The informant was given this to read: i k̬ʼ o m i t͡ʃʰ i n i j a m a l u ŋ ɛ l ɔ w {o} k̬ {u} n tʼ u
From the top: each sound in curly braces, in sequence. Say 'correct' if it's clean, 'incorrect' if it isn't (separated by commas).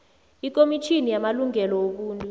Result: correct, incorrect